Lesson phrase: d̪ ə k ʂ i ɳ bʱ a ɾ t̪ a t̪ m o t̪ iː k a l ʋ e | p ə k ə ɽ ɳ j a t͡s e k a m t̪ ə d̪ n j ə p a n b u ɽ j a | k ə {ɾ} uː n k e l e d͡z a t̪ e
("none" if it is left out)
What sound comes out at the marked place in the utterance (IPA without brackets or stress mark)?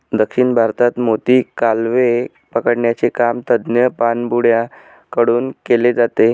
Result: ɽ